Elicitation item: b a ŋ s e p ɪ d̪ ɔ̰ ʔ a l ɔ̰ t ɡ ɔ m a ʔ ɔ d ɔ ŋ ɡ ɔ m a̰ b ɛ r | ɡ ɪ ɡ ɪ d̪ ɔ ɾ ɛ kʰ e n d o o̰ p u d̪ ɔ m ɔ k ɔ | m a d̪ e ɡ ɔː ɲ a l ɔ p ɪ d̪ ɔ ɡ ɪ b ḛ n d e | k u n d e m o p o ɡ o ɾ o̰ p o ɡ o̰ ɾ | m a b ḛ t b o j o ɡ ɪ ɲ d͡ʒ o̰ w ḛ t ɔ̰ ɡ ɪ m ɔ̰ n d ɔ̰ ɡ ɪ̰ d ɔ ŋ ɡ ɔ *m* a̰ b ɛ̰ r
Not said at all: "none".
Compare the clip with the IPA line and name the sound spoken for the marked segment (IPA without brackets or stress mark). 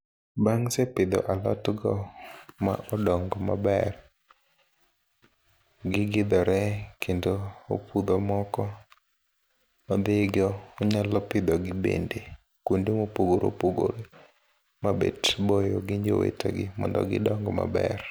m